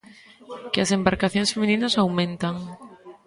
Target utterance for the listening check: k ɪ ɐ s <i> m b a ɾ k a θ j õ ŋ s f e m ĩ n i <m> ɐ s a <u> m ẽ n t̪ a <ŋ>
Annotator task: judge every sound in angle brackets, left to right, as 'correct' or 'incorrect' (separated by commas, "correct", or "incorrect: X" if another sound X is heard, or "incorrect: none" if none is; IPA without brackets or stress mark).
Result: incorrect: e, incorrect: n, incorrect: w, correct